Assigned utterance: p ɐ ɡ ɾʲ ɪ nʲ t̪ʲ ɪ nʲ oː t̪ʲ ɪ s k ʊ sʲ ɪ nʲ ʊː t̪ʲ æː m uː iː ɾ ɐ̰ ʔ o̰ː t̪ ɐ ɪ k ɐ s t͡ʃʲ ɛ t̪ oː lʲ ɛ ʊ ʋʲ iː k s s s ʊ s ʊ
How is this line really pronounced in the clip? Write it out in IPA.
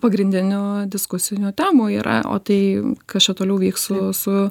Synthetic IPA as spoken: p ɐ ɡ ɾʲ ɪ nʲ d̪ʲ ɪ nʲ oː d̪ʲ ɪ s k ʊ sʲ ɪ nʲ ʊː t̪ʲ æː m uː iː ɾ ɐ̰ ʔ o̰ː t̪ ɐ ɪ k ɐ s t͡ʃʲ ɛ t̪ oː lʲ ɛ ʊ ʋʲ iː k s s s ʊ s ʊ

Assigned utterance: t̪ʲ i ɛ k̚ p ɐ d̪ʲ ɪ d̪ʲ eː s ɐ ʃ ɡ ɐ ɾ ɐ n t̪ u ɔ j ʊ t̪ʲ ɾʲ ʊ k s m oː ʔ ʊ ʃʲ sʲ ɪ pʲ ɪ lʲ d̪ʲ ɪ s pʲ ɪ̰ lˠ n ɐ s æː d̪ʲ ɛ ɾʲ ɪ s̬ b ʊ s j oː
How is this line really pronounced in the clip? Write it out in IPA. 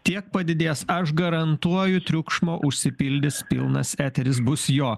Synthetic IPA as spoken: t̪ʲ i ɛ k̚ p ɐ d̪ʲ ɪ d̪ʲ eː s ɐ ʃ ɡ ɐ ɾ ɐ n t̪ u ɔ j ʊ t̪ʲ ɾʲ ʊ k ʃ m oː ʔ ʊ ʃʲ sʲ ɪ pʲ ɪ lʲ d̪ʲ ɪ s pʲ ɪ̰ lˠ n ɐ s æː t̪ʲ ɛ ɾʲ ɪ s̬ b ʊ s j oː

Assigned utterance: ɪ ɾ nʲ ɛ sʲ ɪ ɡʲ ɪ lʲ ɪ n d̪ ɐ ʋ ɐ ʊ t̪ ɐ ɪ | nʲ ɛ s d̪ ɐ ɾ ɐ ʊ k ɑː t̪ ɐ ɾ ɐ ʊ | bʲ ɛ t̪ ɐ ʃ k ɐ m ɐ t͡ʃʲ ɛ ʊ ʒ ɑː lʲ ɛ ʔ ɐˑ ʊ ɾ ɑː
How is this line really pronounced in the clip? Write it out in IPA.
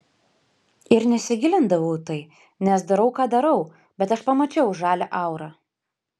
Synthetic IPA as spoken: ɪ ɾ nʲ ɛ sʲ ɪ ɡʲ ɪ lʲ ɪ n d̪ ɐ ʋ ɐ ʊ t̪ ɐ ɪ | nʲ ɛ s d̪ ɐ ɾ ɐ ʊ k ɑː d̪ ɐ ɾ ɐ ʊ | bʲ ɛ t̪ ɐ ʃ p ɐ m ɐ t͡ʃʲ ɛ ʊ ʒ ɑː lʲ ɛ ʔ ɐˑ ʊ ɾ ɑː

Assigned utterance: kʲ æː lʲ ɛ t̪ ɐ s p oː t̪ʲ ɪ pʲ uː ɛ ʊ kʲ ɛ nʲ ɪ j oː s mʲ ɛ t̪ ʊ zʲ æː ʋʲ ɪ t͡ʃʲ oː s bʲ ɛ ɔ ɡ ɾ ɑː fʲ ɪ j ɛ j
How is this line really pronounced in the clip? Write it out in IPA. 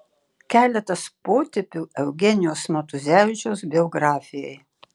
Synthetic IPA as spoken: kʲ æː lʲ ɛ t̪ ɐ s p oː t̪ʲ ɪ pʲ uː ɛ ʊ ɡʲ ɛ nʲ ɪ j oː s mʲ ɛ t̪ ʊ zʲ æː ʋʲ ɪ t͡ʃʲ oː s bʲ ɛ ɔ ɡ ɾ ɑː fʲ ɪ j ɛ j

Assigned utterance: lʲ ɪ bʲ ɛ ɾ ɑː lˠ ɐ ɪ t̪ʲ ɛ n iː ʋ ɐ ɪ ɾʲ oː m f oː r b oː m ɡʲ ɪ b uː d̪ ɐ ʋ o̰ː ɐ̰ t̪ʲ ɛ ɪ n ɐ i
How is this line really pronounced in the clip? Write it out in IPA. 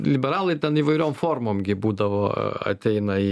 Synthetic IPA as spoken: lʲ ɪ bʲ ɛ ɾ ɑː lˠ ɐ ɪ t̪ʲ ɛ n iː ʋ ɐ ɪ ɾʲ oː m f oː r m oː m ɡʲ ɪ b uː d̪ ɐ ʋ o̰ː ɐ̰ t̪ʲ ɛ ɪ n ɐ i

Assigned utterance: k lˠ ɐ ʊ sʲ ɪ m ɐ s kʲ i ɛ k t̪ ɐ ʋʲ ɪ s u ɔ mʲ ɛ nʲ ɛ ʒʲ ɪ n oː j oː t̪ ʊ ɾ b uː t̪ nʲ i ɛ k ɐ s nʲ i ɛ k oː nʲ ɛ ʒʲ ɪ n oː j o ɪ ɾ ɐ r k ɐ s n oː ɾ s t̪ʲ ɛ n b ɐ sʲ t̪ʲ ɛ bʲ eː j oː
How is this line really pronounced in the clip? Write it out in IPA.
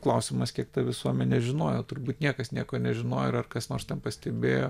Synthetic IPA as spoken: k lˠ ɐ ʊ sʲ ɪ m ɐ s kʲ i ɛ k t̪ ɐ ʋʲ ɪ s u ɔ mʲ ɛ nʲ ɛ ʒʲ ɪ n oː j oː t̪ ʊ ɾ b uː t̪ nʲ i ɛ k ɐ s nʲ i ɛ k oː nʲ ɛ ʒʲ ɪ n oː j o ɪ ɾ ɐ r k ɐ s n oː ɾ s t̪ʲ ɛ n p ɐ sʲ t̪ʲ ɛ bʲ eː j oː

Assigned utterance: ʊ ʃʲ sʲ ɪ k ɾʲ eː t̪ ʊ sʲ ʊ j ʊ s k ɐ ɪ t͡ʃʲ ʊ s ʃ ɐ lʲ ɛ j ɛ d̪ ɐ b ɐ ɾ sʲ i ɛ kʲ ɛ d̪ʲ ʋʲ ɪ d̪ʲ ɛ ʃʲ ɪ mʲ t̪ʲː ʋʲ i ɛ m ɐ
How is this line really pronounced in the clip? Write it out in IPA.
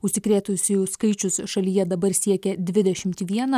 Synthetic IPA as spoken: ʊ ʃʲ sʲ ɪ k ɾʲ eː t̪ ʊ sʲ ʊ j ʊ s k ɐ ɪ t͡ʃʲ ʊ s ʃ ɐ lʲ i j ɛ d̪ ɐ b ɐ ɾ sʲ i ɛ kʲ ɛ d̪ʲ ʋʲ ɪ d̪ʲ ɛ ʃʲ ɪ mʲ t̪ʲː ʋʲ i ɛ n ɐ

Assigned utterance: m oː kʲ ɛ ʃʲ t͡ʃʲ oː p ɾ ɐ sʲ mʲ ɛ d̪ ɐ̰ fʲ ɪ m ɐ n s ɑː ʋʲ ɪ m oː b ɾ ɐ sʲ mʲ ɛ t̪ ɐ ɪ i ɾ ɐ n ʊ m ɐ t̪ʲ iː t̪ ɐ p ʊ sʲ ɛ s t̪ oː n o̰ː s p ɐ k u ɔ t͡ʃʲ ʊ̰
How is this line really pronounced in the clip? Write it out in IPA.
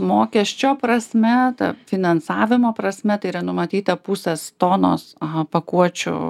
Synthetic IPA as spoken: m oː kʲ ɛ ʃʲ t͡ʃʲ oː p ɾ ɐ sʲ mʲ ɛ t̪ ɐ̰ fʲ ɪ n ɐ n s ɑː ʋʲ ɪ m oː p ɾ ɐ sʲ mʲ ɛ t̪ ɐ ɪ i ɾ ɐ n ʊ m ɐ t̪ʲ iː t̪ ɐ p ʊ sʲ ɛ s t̪ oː n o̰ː s p ɐ k u ɔ t͡ʃʲ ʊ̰

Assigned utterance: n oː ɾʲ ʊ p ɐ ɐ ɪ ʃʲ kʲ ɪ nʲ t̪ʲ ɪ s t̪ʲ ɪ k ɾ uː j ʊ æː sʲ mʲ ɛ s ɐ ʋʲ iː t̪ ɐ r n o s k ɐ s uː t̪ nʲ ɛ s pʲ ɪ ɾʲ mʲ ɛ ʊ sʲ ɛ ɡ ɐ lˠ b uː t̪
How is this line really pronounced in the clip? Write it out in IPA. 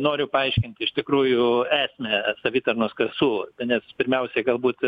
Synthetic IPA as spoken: n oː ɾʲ ʊ p ɐ ɐ ɪ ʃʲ kʲ ɪ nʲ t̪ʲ ɪ ʃ t̪ʲ ɪ k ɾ uː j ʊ æː sʲ mʲ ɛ s ɐ ʋʲ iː t̪ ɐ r n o s k ɐ s uː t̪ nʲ ɛ s pʲ ɪ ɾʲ mʲ ɛ ʊ sʲ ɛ ɡ ɐ lˠ b uː t̪

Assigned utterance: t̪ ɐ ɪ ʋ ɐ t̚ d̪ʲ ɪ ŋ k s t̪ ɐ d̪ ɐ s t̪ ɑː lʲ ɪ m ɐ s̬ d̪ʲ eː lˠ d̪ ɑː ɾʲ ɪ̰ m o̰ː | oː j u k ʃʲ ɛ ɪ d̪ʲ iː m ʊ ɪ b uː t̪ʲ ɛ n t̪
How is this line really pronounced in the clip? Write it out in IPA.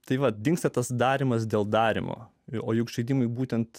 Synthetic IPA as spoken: t̪ ɐ ɪ ʋ ɐ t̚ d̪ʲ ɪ ŋ k s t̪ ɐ t̪ ɐ s d̪ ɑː ɾʲ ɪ m ɐ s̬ d̪ʲ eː lˠ d̪ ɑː ɾʲ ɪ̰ m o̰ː | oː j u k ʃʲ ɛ ɪ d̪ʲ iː m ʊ ɪ b uː t̪ʲ ɛ n t̪

